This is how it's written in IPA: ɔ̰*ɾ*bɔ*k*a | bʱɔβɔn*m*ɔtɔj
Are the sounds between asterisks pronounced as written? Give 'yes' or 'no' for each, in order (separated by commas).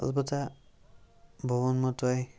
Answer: no, no, yes